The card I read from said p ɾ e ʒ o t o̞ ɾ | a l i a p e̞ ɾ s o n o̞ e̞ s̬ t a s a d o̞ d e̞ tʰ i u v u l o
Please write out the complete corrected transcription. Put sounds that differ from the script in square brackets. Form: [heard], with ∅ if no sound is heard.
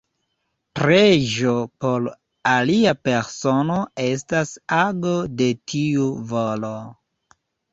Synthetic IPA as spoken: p ɾ e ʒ o [p] o̞ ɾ | a l i a p e̞ ɾ s o n o̞ e̞ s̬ t a s a [ɡ] o̞ d e̞ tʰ i u v [o] l o